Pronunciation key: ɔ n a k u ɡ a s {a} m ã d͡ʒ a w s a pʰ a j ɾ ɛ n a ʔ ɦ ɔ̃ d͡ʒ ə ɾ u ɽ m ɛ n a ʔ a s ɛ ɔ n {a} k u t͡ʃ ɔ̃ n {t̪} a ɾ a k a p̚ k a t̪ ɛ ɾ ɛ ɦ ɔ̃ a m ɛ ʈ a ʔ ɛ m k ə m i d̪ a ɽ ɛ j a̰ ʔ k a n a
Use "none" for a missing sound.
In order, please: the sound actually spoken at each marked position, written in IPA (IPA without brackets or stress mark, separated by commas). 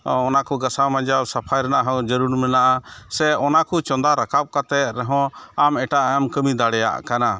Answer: a, a, d̪